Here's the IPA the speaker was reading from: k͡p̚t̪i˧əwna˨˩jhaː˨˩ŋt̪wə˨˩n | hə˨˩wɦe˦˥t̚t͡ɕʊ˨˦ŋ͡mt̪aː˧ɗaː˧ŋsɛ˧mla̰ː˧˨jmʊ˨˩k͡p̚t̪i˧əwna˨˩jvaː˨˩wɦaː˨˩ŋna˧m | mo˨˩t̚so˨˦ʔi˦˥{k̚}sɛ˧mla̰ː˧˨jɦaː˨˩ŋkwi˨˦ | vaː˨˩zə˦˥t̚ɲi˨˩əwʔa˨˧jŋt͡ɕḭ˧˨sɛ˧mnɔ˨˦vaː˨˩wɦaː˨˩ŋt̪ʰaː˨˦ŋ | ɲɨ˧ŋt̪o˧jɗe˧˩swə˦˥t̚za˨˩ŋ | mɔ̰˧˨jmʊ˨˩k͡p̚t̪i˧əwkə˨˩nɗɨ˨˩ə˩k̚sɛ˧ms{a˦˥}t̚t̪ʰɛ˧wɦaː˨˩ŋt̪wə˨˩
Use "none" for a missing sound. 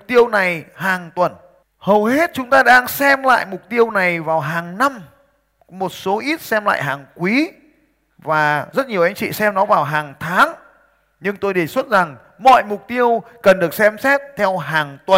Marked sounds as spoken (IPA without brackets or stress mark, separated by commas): t̚, ɛ˦˥